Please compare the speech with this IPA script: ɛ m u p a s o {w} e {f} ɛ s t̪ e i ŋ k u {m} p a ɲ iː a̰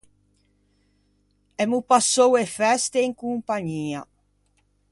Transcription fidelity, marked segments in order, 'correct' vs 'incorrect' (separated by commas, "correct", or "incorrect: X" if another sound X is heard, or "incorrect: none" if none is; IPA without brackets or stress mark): correct, correct, correct